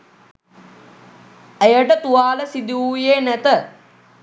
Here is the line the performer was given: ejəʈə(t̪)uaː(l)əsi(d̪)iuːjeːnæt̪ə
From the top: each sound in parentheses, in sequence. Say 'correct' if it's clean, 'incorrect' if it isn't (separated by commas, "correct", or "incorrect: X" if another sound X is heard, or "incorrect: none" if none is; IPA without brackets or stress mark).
correct, correct, correct